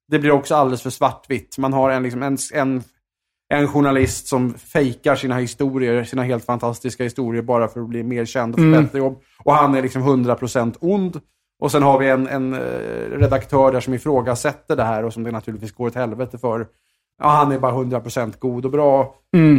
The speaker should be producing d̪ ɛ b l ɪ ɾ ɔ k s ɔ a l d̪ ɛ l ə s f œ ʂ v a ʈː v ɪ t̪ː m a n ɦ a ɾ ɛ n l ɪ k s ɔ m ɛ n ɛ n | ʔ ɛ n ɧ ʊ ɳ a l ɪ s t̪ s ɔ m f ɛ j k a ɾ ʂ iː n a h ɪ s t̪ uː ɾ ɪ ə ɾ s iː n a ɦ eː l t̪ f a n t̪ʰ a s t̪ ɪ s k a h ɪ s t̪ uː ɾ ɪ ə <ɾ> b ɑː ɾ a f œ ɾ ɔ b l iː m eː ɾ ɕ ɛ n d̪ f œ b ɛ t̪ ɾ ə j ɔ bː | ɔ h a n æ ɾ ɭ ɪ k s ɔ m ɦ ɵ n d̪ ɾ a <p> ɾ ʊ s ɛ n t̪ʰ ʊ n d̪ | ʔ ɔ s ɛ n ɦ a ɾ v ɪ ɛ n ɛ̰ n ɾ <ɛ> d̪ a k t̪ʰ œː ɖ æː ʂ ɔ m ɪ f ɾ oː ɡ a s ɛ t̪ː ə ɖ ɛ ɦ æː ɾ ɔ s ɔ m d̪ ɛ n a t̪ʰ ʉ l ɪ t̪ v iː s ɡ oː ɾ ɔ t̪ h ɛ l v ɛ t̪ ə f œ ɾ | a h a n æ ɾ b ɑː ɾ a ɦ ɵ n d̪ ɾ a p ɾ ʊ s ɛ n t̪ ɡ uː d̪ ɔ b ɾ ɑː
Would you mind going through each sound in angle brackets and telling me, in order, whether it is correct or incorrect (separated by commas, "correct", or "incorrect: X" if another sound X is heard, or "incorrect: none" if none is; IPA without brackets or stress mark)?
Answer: correct, incorrect: pʰ, correct